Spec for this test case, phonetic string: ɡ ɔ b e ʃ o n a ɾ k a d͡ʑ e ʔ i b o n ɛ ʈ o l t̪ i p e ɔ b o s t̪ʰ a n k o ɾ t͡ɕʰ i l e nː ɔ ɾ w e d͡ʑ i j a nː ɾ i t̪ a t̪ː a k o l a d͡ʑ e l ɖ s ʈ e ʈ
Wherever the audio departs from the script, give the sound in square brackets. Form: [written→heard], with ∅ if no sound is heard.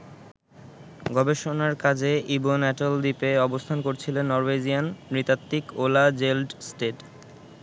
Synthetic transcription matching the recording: ɡ ɔ b e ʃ o n a ɾ k a d͡ʑ e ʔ i b o n ɛ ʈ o l [t̪→d̪] i p e ɔ b o s t̪ʰ a n k o ɾ t͡ɕʰ i l e nː ɔ ɾ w e d͡ʑ i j a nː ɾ i t̪ a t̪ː [a→i] k o l a d͡ʑ e l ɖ s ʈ e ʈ